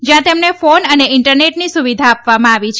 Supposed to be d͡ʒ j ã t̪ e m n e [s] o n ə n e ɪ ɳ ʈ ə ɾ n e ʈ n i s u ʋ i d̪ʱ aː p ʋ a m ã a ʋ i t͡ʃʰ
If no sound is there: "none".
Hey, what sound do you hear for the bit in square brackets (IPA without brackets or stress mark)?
f